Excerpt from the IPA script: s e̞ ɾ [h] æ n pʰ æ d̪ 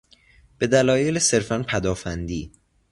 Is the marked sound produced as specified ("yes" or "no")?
no